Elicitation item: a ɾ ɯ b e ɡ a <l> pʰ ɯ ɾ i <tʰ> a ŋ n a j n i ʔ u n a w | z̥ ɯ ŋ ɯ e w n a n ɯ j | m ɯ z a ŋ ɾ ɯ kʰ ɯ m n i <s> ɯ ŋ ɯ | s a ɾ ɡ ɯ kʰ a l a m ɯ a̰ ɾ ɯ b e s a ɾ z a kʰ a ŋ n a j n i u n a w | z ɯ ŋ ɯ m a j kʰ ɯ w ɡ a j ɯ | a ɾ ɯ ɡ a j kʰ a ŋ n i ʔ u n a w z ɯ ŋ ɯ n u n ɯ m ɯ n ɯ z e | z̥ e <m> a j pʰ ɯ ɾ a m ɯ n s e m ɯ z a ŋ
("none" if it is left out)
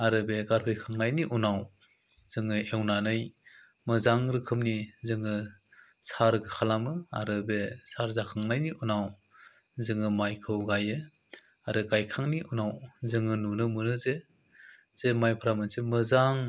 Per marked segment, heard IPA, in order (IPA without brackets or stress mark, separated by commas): ɾ, kʰ, z, m